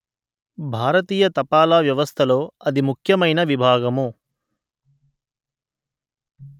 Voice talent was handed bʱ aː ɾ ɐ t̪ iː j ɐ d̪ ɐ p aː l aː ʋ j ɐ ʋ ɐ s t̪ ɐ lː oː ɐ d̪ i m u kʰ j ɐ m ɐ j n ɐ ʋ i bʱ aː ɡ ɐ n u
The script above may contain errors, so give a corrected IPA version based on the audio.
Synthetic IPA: bʱ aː ɾ ɐ t̪ iː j ɐ t̪ ɐ p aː l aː ʋ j ɐ ʋ ɐ s t̪ʰ ɐ l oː ɐ d̪ i m u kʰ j ɐ m ɐ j n ɐ ʋ i bʱ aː ɡ ɐ m u

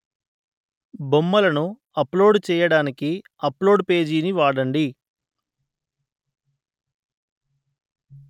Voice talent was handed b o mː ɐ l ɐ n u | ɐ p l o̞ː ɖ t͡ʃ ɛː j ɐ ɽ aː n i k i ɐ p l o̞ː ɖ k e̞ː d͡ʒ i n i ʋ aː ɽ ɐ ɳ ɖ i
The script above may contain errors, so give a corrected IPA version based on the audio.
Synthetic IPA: b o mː ɐ l ɐ n u | ɐ p l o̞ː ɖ t͡ʃ ɛː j ɐ ɽ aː n i k i ɐ p l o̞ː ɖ p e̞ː d͡ʒ iː n i ʋ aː ɽ ɐ ɳ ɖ i

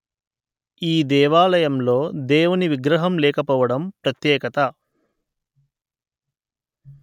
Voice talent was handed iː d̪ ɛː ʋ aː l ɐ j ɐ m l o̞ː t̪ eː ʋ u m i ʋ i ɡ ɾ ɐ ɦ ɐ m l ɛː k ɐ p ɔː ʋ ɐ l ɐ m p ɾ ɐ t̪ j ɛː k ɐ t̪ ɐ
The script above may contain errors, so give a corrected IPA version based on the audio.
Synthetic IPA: iː d̪ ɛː ʋ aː l ɐ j ɐ m l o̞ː d̪ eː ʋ u n i ʋ i ɡ ɾ ɐ ɦ ɐ m l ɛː k ɐ p ɔː ʋ ɐ ɽ ɐ m p ɾ ɐ t̪ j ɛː k ɐ t̪ ɐ

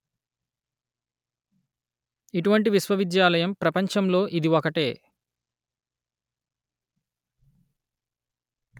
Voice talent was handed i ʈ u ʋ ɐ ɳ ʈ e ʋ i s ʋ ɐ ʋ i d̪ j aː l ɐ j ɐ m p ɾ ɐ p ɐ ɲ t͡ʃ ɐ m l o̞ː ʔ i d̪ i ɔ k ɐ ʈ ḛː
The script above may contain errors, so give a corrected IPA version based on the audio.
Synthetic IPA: i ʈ u ʋ ɐ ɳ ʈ i ʋ i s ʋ ɐ ʋ i d̪ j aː l ɐ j ɐ m p ɾ ɐ p ɐ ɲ t͡ʃ ɐ m l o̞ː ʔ i d̪ i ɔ k ɐ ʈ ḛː

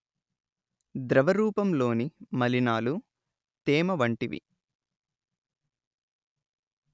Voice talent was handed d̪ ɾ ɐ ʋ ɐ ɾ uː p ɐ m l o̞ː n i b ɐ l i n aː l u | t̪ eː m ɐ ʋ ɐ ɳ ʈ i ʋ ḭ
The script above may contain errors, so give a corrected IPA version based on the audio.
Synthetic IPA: d̪ ɾ ɐ ʋ ɐ ɾ uː p ɐ m l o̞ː n i m ɐ l i n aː l u | t̪ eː m ɐ ʋ ɐ ɳ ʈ i ʋ ḭ

